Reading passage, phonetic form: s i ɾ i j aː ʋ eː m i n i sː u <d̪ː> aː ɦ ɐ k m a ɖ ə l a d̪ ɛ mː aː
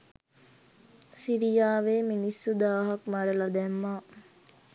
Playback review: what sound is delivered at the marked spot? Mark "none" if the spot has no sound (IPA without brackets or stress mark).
d̪